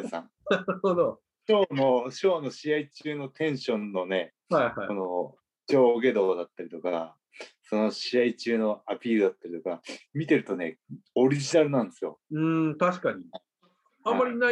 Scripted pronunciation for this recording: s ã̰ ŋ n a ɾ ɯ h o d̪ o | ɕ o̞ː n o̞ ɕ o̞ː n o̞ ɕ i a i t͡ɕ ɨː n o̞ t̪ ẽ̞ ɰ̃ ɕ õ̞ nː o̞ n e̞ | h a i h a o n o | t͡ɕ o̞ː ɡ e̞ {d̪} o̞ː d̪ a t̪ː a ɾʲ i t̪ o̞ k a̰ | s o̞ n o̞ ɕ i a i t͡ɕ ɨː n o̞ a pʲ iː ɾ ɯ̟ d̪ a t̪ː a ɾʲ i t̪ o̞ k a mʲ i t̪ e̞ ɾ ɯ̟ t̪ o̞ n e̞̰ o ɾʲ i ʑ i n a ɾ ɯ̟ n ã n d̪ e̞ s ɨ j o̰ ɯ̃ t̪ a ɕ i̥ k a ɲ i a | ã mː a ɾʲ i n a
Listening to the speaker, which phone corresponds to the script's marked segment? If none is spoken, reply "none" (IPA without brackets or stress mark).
d̪